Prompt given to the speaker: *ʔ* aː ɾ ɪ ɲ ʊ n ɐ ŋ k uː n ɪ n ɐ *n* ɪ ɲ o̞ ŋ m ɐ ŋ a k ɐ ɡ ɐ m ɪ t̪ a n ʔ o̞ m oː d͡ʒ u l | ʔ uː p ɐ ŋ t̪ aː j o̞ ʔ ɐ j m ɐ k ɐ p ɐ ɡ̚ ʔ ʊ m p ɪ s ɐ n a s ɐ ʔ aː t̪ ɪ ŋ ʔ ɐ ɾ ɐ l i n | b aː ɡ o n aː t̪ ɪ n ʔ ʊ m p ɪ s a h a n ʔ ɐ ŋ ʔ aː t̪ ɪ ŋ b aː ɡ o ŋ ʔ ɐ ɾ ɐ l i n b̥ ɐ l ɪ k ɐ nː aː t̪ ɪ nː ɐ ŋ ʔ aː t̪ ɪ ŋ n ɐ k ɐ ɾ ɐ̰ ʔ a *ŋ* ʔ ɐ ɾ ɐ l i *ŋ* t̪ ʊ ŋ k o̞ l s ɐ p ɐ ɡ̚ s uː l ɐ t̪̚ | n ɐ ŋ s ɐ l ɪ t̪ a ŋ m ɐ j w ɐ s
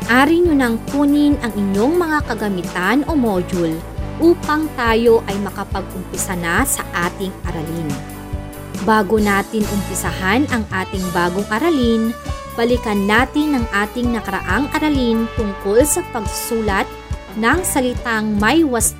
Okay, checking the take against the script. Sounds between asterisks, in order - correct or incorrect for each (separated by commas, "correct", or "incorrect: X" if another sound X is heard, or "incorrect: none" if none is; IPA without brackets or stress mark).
correct, incorrect: ŋ, correct, incorrect: n